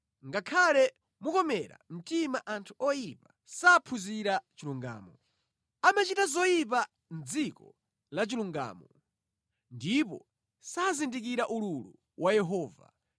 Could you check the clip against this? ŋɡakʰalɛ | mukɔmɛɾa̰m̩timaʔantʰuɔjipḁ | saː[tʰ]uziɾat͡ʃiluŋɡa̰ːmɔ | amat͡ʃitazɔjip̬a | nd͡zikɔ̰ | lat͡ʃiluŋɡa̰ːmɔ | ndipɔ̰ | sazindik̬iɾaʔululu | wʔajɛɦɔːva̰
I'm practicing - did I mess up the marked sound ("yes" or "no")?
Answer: yes